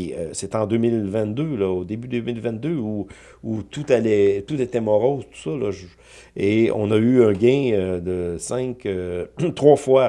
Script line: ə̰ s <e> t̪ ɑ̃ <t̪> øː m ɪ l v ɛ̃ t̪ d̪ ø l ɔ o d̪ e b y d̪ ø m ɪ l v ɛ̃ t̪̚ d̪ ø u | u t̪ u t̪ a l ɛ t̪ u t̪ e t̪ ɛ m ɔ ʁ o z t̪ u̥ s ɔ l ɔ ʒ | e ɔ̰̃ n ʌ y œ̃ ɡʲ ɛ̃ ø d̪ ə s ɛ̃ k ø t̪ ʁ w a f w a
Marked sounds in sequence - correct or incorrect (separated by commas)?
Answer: correct, incorrect